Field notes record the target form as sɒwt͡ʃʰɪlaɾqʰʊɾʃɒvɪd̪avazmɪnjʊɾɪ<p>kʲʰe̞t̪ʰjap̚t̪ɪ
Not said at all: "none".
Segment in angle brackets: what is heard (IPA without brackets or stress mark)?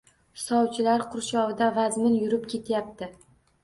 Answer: p